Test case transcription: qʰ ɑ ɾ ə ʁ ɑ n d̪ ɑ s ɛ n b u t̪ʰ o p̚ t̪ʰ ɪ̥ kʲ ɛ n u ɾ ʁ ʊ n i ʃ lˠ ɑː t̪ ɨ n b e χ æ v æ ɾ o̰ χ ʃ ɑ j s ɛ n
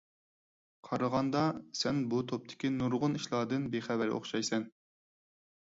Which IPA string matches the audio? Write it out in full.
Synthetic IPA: qʰ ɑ ɾ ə ʁ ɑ n d̪ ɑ s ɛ n b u t̪ʰ o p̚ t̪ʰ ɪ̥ kʲ i n u ɾ ʁ ʊ n i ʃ lˠ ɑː d̪ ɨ n b e χ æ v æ ɾ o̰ χ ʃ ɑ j s ɛ n